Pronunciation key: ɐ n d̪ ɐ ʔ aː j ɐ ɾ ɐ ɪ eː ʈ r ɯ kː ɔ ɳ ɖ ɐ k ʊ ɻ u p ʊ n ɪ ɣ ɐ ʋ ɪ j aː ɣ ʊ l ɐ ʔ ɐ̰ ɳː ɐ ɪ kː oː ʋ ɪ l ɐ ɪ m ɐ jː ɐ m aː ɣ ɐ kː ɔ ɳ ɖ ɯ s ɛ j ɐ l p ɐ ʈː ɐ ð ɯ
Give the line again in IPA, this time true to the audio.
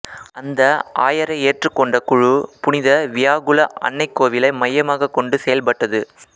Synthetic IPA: ɐ n d̪ ɐ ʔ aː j ɐ ɾ ɐ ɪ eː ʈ r ɯ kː ɔ ɳ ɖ ɐ k ʊ ɻ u p ʊ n ɪ ð ɐ ʋ ɪ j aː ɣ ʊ l ɐ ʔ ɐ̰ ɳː ɐ ɪ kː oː ʋ ɪ l ɐ ɪ m ɐ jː ɐ m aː ɣ ɐ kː ɔ ɳ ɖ ɯ s ɛ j ɐ l p ɐ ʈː ɐ ð ɯ